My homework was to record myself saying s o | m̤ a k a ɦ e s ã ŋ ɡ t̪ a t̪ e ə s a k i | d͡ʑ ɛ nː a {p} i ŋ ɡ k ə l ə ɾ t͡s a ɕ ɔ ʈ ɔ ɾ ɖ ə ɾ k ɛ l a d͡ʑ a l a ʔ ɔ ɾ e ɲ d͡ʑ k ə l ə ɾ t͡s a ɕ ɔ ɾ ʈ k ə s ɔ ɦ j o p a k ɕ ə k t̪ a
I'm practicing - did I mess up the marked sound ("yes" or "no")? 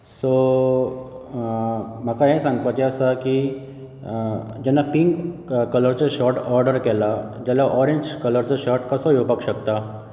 no